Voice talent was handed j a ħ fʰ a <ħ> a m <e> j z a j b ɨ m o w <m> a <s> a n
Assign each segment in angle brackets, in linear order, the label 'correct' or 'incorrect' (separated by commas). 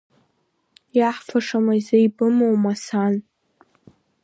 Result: incorrect, incorrect, correct, correct